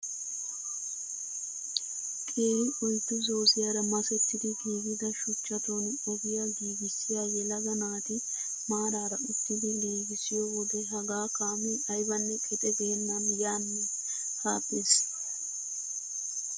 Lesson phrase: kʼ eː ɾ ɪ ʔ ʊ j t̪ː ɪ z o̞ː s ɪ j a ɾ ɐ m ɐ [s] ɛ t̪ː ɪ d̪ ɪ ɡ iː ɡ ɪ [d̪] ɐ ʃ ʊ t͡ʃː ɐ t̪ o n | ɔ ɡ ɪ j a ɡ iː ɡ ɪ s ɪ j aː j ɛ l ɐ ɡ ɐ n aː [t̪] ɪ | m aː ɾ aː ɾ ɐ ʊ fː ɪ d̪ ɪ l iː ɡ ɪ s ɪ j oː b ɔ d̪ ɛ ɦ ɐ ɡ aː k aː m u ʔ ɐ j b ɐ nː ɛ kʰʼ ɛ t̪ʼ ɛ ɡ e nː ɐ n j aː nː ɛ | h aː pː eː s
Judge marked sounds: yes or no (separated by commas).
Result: yes, yes, yes